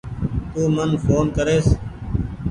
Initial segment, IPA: t̪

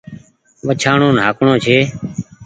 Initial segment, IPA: ʋ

